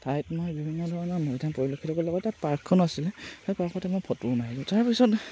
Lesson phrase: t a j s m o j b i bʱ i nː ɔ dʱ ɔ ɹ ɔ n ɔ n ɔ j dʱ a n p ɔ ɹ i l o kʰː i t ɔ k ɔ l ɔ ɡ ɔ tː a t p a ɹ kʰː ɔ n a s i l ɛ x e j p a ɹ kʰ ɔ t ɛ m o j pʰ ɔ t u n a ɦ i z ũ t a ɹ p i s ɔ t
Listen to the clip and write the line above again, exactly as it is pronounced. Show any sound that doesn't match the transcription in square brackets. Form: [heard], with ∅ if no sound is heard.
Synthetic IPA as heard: t a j [t] m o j b i bʱ i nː ɔ dʱ ɔ ɹ ɔ n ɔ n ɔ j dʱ a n p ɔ ɹ i l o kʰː i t ɔ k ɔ l ɔ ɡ ɔ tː a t p a ɹ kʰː ɔ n a s i l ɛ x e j p a ɹ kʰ ɔ t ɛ m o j pʰ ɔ t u n a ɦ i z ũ t a ɹ p i s ɔ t

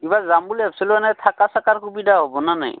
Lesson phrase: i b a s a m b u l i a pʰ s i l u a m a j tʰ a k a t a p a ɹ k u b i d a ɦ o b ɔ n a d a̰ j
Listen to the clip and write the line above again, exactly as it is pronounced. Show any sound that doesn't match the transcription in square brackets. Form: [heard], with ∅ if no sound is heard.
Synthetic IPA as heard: i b a [z] a m b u l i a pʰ s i l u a [n] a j tʰ a k a [s] a [k] a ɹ k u b i d a ɦ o b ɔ n a [n] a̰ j

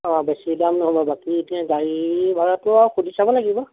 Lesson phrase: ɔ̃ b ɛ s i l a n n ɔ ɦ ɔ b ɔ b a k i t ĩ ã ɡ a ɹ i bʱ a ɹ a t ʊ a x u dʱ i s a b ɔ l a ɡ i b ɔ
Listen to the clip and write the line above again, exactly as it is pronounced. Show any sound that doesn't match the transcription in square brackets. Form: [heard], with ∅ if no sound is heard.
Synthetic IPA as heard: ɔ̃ b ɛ s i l a [m] n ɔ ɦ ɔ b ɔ b a k i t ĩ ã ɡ a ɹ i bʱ a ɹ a t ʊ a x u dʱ i s a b ɔ l a ɡ i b ɔ

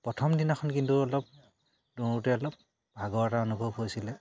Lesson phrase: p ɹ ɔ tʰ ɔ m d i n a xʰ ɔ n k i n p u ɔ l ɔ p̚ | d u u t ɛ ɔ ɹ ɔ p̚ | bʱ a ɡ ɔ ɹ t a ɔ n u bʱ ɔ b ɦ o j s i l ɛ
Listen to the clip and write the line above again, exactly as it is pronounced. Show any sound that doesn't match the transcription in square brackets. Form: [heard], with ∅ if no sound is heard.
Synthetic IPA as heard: p ɹ ɔ tʰ ɔ m d i n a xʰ ɔ n k i n [t] u ɔ l ɔ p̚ | d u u t ɛ ɔ [l] ɔ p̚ | bʱ a ɡ ɔ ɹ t a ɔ n u bʱ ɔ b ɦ o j s i l ɛ

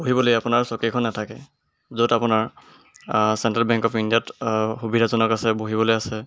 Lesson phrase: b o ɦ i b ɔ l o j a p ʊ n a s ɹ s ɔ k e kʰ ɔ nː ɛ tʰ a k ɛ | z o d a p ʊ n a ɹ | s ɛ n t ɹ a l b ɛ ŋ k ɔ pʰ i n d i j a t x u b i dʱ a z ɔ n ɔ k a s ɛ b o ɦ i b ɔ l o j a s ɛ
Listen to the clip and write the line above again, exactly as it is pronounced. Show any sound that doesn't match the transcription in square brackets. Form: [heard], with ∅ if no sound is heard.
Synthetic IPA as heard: b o ɦ i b ɔ l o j a p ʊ n a [∅] ɹ s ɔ k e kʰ ɔ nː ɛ tʰ a k ɛ | z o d a p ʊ n a ɹ | s ɛ n t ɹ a l b ɛ ŋ k ɔ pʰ i n d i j a t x u b i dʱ a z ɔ n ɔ k a s ɛ b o ɦ i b ɔ l o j a s ɛ

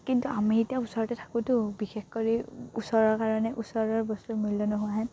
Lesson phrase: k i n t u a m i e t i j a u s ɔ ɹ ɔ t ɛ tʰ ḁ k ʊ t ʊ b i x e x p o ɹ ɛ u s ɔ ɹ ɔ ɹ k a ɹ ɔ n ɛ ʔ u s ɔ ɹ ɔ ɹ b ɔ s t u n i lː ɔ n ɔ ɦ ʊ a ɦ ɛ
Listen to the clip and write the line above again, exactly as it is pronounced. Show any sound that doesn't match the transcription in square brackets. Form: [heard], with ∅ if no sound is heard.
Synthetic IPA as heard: k i n t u a m i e t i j a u s ɔ ɹ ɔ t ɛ tʰ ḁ k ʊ t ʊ b i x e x [k] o ɹ [i] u s ɔ ɹ ɔ ɹ k a ɹ ɔ n ɛ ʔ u s ɔ ɹ ɔ ɹ b ɔ s t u [m] i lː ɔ n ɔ ɦ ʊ a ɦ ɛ

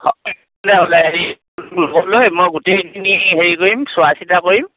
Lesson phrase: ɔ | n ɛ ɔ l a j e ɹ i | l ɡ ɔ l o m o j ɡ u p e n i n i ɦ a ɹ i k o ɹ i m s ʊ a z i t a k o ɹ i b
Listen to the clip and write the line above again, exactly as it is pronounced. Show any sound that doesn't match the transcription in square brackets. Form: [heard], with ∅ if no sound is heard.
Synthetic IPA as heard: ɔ | n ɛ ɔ l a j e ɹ i | l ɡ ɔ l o m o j ɡ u [t] e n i n i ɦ [e] ɹ i k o ɹ i m s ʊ a [s] i t a k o ɹ i [m]

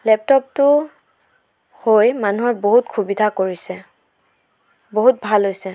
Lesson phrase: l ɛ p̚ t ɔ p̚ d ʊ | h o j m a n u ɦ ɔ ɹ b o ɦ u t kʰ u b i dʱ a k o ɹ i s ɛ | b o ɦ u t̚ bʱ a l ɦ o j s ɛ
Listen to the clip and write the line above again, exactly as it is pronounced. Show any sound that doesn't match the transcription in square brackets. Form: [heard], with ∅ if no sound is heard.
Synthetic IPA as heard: l ɛ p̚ t ɔ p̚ [t] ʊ | h o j m a n u ɦ ɔ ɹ b o ɦ u t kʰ u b i dʱ a k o ɹ i s ɛ | b o ɦ u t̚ bʱ a l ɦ o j s ɛ

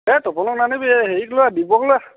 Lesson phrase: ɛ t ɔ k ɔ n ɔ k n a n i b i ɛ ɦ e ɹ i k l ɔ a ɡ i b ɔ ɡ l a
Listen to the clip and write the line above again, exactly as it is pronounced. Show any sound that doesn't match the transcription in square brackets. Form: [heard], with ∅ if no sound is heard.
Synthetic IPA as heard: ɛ t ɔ [p] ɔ n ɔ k n a n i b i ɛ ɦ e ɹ i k l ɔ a [d] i b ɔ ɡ l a

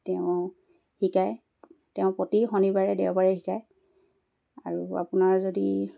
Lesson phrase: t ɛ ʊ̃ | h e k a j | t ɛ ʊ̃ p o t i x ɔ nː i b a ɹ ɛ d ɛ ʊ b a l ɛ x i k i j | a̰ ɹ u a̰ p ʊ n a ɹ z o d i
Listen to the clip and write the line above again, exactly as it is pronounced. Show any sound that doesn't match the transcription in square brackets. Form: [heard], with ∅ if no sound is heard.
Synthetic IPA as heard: t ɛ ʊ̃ | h [i] k a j | t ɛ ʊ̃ p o t i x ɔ [n] i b a ɹ ɛ d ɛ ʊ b a [ɹ] ɛ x i k [a] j | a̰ ɹ u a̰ p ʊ n a ɹ z o d i

